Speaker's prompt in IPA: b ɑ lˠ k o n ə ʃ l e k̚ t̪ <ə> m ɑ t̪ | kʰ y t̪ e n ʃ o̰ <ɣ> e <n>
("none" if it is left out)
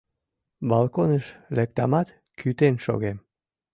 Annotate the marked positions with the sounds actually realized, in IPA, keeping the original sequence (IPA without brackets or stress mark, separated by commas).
ɑ, ɣ, m